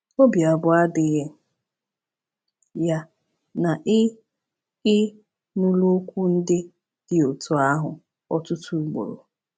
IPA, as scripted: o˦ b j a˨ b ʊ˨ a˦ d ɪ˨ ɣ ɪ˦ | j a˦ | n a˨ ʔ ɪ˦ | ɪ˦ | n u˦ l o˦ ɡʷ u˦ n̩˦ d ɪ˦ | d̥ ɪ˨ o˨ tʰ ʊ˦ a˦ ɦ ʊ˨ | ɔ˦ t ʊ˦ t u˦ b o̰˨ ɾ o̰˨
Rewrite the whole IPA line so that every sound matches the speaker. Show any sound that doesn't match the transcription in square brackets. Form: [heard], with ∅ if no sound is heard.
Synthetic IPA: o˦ b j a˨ b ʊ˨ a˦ d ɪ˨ ɣ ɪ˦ | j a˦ | n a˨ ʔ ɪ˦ | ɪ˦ | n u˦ l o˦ [kʷ] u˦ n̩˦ d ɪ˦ | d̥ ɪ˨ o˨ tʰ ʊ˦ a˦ ɦ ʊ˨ | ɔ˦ t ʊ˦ t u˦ [ɡ͡b] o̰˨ ɾ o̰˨